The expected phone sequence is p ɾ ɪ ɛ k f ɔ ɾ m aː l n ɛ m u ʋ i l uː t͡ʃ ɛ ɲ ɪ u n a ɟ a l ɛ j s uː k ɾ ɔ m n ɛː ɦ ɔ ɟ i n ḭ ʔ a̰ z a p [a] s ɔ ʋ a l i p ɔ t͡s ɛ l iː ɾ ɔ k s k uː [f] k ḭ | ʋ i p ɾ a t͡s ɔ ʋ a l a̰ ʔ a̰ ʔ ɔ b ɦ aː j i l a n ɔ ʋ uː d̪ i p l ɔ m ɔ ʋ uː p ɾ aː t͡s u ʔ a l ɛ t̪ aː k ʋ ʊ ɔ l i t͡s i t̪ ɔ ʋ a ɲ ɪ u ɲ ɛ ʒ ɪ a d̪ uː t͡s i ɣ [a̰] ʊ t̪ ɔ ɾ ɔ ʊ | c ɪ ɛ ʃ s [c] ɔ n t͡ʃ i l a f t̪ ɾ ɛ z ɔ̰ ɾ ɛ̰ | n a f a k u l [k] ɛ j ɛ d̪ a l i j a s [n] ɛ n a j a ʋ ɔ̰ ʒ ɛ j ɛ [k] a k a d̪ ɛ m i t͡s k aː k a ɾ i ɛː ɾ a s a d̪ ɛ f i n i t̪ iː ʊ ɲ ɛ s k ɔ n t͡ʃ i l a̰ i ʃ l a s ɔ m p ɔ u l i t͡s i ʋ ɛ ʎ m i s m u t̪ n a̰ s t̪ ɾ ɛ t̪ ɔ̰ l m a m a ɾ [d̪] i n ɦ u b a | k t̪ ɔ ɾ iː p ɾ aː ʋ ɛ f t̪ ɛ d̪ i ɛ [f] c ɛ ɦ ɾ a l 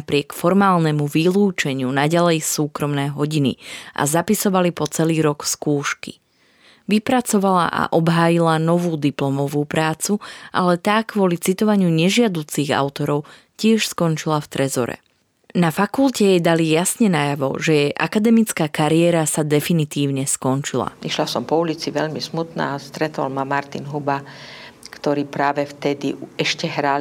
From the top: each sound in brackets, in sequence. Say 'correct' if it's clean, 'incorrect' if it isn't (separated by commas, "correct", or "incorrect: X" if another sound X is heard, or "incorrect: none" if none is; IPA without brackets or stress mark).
incorrect: i, incorrect: ʃ, correct, incorrect: k, incorrect: c, incorrect: ɲ, incorrect: ʔ, incorrect: t̪, incorrect: ʃ